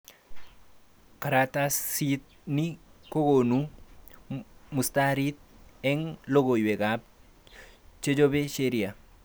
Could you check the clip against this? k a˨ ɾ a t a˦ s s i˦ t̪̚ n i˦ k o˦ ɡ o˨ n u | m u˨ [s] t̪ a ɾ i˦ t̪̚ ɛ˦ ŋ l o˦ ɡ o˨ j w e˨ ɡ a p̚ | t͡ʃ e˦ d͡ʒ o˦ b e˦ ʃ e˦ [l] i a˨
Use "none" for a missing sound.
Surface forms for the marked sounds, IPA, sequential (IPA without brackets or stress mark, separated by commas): s, ɾ